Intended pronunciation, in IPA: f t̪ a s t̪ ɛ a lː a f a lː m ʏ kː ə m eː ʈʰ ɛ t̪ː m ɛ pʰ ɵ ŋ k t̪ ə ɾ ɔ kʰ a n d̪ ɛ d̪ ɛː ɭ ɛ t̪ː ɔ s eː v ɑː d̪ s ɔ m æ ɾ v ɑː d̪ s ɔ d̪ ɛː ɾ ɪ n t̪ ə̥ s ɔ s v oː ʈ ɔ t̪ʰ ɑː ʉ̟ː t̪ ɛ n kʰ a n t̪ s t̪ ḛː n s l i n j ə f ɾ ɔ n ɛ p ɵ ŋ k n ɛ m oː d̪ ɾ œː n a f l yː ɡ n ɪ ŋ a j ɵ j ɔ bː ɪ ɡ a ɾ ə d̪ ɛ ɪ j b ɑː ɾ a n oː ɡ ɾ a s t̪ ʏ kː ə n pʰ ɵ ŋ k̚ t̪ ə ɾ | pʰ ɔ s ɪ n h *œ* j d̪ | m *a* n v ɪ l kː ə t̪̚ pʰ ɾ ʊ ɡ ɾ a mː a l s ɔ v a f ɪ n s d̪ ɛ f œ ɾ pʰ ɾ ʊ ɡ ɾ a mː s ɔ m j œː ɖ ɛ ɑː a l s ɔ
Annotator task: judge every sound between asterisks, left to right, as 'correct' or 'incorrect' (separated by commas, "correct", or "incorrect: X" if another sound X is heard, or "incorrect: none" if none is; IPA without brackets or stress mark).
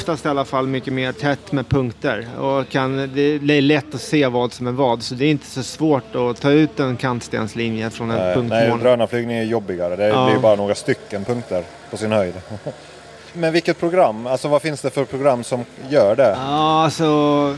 correct, incorrect: ɛ